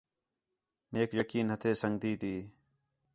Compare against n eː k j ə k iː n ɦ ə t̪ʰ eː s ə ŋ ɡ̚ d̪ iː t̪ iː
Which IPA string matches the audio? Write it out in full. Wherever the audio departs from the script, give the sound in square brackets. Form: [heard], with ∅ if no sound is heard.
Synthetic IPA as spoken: n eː k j ə k iː n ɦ ə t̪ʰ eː s ə ŋ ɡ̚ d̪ iː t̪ iː